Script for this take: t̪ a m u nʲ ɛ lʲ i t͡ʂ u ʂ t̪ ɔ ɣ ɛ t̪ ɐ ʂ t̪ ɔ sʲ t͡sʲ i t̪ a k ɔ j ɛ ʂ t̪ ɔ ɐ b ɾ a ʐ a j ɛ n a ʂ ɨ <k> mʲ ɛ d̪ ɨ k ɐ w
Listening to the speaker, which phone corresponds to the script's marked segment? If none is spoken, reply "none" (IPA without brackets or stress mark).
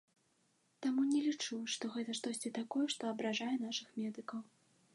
x